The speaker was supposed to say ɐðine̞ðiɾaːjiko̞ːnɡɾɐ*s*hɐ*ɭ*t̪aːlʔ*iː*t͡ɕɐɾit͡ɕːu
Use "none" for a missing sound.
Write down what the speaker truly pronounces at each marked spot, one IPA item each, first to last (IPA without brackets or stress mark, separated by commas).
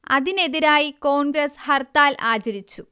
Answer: s, r, aː